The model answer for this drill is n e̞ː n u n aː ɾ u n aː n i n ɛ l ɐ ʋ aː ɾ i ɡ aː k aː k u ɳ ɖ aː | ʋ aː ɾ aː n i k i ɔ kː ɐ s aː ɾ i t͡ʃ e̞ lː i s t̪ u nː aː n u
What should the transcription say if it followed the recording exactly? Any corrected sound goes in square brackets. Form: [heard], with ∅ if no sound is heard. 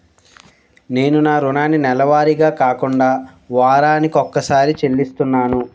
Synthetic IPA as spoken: n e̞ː n u n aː ɾ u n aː n i n ɛ l ɐ ʋ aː ɾ i ɡ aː k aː k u ɳ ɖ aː | ʋ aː ɾ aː n i k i ɔ kː ɐ s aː ɾ i t͡ʃ e̞ lː i s t̪ u nː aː n u